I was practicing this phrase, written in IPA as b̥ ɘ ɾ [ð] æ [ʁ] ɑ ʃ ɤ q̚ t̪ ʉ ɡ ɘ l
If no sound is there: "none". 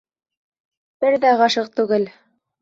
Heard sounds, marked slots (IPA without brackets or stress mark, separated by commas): ð, ʁ